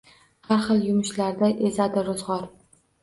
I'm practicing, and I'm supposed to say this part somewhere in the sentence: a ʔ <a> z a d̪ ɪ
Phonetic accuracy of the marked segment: incorrect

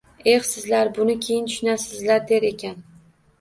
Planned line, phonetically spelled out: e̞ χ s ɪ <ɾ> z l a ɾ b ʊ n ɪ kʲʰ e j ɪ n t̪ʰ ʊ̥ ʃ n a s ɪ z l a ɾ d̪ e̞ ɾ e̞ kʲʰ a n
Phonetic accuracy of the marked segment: incorrect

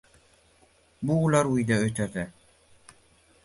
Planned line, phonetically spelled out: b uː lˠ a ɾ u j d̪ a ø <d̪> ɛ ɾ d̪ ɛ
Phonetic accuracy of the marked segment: incorrect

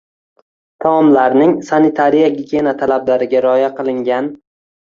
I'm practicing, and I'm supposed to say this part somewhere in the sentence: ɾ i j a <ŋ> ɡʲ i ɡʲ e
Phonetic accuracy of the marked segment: incorrect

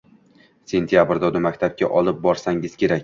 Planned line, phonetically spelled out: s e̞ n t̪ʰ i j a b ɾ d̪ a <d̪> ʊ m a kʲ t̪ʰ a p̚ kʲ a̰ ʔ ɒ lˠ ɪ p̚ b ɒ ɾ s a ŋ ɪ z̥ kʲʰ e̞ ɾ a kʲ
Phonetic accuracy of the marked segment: correct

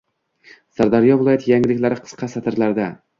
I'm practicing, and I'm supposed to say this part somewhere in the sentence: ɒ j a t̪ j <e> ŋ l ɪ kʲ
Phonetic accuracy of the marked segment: incorrect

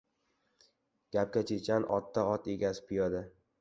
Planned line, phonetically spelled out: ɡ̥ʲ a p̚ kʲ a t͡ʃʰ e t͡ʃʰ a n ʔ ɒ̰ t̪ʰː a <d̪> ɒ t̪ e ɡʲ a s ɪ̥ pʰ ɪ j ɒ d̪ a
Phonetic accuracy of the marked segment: incorrect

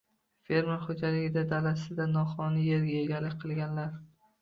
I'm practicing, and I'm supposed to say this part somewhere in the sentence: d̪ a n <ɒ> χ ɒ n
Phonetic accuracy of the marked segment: correct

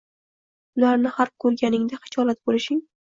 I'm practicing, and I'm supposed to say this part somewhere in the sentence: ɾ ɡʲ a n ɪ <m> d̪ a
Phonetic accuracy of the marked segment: incorrect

